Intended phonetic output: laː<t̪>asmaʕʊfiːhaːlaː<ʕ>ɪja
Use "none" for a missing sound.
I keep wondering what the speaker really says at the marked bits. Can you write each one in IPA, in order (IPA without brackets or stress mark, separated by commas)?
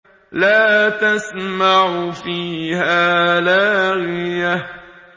t̪, ɣ